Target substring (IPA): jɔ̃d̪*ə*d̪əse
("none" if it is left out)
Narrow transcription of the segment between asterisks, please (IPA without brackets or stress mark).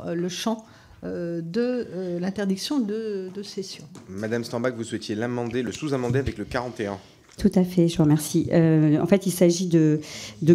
ə